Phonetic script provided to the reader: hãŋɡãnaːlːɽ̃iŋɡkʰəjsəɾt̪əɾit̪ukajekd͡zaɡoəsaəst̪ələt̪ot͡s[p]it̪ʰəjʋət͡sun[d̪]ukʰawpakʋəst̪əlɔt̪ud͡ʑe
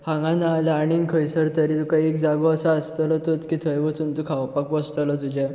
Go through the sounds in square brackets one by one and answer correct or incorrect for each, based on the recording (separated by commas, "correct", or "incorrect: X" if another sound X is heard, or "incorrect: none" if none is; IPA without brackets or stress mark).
incorrect: k, incorrect: t̪